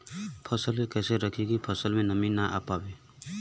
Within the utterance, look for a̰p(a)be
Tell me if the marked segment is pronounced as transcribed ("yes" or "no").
yes